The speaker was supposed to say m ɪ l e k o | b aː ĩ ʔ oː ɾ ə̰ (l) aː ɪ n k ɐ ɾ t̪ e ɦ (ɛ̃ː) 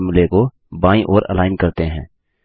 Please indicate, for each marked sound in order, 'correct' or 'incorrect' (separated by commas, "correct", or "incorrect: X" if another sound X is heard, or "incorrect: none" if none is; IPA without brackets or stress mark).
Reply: correct, correct